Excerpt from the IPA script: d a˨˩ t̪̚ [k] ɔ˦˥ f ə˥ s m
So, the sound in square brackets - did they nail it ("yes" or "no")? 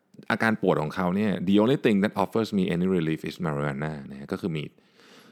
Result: no